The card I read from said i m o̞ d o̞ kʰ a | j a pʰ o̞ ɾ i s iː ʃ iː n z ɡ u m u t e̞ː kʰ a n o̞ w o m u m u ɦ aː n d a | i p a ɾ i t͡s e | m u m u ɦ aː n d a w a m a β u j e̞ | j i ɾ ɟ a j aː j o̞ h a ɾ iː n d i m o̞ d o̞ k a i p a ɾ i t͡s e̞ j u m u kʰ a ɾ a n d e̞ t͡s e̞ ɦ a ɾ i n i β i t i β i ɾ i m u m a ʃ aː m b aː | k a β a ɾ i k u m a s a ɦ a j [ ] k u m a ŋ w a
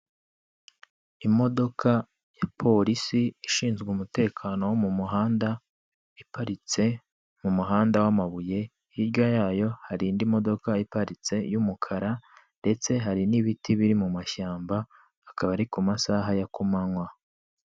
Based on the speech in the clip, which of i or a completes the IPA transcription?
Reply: a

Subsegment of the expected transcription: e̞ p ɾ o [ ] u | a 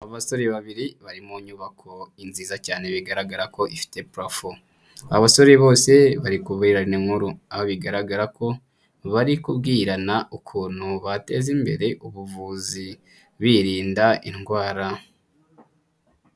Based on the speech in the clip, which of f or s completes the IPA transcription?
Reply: f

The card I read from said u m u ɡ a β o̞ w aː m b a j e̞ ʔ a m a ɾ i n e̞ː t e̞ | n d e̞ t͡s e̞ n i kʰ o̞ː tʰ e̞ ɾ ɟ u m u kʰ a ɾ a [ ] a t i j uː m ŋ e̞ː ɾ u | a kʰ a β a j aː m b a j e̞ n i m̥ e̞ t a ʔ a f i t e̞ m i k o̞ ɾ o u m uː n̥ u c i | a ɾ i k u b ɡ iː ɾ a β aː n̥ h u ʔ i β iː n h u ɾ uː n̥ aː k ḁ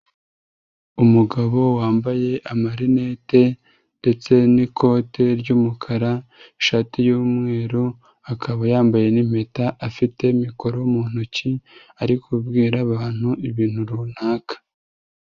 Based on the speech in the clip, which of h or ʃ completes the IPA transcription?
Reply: ʃ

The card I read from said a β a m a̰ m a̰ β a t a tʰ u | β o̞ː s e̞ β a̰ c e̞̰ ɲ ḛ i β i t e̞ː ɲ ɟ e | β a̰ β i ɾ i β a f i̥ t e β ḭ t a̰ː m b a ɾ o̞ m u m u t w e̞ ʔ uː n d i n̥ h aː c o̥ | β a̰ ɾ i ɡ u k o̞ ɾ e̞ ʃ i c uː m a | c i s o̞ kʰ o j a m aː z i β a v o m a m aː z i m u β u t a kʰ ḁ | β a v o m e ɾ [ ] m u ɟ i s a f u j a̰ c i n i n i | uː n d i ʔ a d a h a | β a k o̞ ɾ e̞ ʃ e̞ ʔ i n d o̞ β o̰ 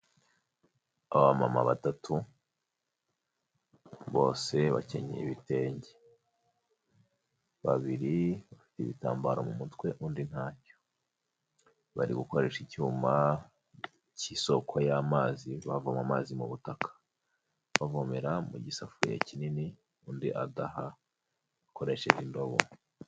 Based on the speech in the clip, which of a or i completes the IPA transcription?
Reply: a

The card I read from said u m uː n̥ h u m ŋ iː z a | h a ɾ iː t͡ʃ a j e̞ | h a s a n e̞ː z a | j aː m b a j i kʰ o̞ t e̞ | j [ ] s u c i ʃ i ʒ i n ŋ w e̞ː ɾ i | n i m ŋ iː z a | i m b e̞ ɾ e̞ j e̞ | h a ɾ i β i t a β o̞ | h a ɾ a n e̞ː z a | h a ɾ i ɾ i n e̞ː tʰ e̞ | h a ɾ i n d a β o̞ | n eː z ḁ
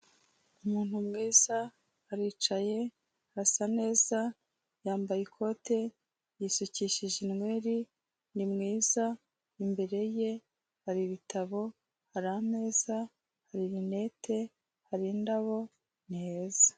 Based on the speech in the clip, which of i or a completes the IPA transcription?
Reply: i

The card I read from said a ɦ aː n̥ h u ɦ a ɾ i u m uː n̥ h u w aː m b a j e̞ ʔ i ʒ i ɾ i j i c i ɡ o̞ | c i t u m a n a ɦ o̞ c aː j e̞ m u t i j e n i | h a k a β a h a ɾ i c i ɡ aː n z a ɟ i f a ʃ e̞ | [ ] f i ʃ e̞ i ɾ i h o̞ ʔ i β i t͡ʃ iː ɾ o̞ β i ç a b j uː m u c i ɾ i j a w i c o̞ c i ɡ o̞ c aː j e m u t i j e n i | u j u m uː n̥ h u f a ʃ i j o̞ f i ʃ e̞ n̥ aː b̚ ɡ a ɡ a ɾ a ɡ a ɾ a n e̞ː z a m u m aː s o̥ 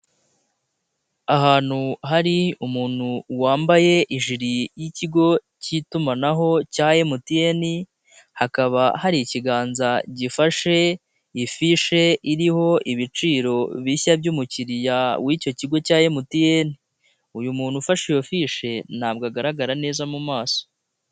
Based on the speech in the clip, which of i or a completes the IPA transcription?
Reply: i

